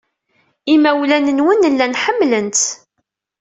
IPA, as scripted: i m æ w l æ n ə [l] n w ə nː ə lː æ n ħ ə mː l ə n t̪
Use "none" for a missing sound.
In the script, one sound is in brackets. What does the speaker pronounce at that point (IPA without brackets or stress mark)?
none